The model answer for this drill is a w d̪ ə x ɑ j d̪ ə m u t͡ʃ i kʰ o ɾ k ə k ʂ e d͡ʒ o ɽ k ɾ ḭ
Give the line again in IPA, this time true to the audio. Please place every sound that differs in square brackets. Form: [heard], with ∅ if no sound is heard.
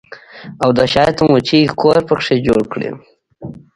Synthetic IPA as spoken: a w d̪ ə [ʃ] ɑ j [t̪] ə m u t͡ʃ i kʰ o ɾ [p] ə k ʂ e d͡ʒ o ɽ k [ɽ] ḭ

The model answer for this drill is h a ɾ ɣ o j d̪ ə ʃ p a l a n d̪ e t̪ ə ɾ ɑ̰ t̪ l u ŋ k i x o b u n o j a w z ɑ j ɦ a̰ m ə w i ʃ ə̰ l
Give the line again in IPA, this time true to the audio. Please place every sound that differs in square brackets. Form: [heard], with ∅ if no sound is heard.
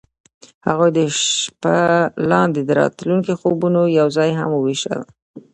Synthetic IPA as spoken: h a [∅] ɣ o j d̪ ə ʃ p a l [ɑ] n d̪ e [d̪] ə ɾ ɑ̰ t̪ l u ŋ k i x o b u n o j a w z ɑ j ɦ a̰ m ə w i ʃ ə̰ l

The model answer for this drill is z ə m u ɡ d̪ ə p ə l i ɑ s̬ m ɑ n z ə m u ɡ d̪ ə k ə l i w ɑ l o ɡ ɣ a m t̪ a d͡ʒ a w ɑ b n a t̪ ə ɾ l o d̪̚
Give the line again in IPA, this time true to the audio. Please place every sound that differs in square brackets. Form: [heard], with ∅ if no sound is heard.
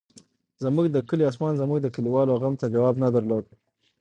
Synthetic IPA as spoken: z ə m u ɡ d̪ ə [k] ə l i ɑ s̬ m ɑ n z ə m u ɡ d̪ ə k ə l i w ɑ l o [∅] ɣ a m t̪ a d͡ʒ a w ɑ b n a [d̪] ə ɾ l o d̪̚

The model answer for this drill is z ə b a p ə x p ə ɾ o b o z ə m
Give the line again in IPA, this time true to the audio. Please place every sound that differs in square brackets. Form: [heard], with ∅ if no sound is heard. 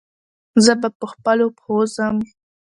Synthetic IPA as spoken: z ə b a p ə x p ə [l] o [p] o z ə m

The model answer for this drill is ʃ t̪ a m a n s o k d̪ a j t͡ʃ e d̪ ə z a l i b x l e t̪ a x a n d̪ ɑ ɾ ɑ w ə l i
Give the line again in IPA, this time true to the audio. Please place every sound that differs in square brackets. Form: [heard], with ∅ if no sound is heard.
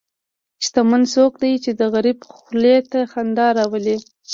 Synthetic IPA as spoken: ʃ t̪ a m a n s o k d̪ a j t͡ʃ e d̪ ə [ɣ] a [ɾ] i b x l e t̪ a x a n d̪ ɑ ɾ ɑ w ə l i

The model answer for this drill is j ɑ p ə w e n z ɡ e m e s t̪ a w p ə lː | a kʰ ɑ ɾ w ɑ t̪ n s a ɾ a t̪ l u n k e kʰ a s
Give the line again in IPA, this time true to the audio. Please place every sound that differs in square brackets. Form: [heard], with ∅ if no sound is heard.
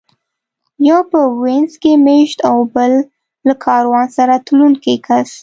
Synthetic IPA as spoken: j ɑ p ə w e n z [k] e m e [ʃ] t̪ a w [b] ə lː | a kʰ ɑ ɾ w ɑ [∅] n s a ɾ a t̪ l u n k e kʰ a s

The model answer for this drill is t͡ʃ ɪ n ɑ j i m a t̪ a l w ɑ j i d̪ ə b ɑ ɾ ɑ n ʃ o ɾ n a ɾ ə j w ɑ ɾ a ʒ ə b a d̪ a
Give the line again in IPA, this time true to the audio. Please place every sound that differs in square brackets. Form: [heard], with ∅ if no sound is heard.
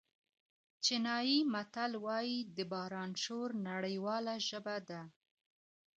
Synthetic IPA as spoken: t͡ʃ ɪ n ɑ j i m a t̪ a l w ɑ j i d̪ ə b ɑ ɾ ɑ n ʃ o ɾ n a [ɽ] ə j w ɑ [l] a ʒ ə b a d̪ a

